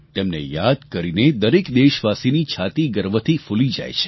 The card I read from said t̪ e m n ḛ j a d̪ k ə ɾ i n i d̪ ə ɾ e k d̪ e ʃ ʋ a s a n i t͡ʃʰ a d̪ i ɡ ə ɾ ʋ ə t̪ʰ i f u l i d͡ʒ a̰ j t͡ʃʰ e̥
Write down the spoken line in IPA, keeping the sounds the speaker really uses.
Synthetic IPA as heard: t̪ e m n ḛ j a d̪ k ə ɾ i n e d̪ ə ɾ e k d̪ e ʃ ʋ a s i n i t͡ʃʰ a t̪ i ɡ ə ɾ ʋ ə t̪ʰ i f u l i d͡ʒ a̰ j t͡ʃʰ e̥